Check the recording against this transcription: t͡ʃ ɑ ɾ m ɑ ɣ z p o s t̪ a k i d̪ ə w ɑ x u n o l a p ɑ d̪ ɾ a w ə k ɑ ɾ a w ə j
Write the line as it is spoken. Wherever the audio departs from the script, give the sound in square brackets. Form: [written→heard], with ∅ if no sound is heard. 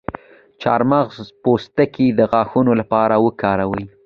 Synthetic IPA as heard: t͡ʃ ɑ ɾ m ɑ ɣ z p o s t̪ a k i d̪ ə [w→ɣ] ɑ x u n o l a p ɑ [d̪→∅] ɾ a w ə k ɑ ɾ a w ə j